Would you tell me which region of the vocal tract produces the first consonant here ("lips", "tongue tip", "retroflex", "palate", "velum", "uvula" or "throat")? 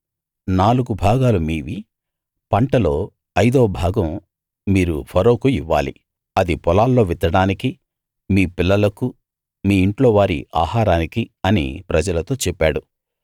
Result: tongue tip